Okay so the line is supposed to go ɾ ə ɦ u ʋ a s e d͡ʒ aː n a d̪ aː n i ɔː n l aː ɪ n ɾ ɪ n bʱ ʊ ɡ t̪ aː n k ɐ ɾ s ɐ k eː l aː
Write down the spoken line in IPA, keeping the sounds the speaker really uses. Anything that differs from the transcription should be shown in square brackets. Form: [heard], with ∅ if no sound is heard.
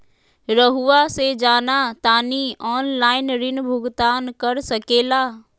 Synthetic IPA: ɾ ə ɦ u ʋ a s e d͡ʒ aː n a [t̪] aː n i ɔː n l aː ɪ n ɾ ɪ n bʱ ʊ ɡ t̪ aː n k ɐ ɾ s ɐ k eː l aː